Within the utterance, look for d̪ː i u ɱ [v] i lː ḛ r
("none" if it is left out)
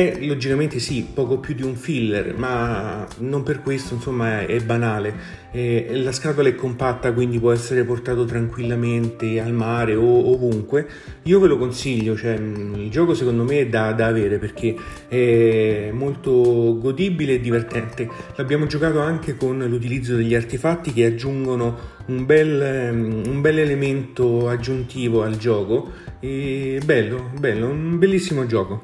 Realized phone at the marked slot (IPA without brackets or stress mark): f